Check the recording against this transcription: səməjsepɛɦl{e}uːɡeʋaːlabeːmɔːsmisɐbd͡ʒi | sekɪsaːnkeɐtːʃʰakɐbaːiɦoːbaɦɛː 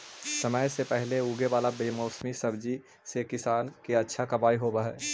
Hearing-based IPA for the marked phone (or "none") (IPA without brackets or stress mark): e